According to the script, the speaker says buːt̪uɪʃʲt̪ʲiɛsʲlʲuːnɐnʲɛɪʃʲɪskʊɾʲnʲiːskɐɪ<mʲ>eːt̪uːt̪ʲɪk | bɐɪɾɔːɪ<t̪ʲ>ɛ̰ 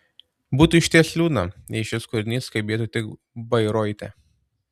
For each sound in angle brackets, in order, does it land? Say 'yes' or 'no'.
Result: no, yes

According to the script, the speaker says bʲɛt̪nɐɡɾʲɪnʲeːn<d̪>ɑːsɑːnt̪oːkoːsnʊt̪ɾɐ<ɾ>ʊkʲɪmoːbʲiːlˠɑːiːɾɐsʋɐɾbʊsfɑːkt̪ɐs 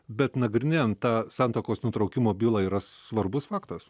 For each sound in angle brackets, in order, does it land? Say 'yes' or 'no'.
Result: no, no

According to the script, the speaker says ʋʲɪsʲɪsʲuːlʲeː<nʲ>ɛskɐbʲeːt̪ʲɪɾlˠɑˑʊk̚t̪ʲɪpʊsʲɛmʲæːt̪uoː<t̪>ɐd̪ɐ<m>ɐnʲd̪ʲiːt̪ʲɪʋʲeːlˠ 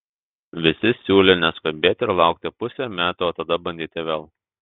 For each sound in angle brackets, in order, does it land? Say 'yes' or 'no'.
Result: yes, yes, no

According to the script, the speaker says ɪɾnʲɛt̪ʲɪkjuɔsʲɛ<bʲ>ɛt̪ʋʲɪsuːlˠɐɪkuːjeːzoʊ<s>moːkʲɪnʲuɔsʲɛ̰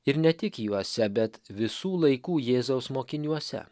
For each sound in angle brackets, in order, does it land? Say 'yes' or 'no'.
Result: yes, yes

